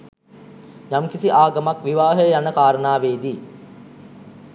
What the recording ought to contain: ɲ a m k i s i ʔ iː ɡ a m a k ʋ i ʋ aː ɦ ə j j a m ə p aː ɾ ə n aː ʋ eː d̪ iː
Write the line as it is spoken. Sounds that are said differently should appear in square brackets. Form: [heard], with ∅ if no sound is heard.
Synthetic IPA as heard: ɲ a m k i s i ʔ [aː] ɡ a m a k ʋ i ʋ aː ɦ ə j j a [n] ə [k] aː ɾ ə n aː ʋ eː d̪ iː